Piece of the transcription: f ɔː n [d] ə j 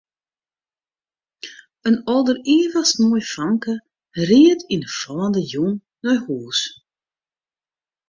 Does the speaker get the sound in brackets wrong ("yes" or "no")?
no